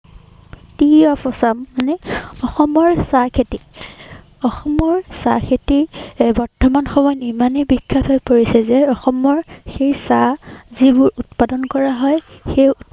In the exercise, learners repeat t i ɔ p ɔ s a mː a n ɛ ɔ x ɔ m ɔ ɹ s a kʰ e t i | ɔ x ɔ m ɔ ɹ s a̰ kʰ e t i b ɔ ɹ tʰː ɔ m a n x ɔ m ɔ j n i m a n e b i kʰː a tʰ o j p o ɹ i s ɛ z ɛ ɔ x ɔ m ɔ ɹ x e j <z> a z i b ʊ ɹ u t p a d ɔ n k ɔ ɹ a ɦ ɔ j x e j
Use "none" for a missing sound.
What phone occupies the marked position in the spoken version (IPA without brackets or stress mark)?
s